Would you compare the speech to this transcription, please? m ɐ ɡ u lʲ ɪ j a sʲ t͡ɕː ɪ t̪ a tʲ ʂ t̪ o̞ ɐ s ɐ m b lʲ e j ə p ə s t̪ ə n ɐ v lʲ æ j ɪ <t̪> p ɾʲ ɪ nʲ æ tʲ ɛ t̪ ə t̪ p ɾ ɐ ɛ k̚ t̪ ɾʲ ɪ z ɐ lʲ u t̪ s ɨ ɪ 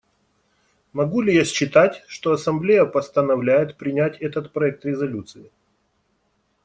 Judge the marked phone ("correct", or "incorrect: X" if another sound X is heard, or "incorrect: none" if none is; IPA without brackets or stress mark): correct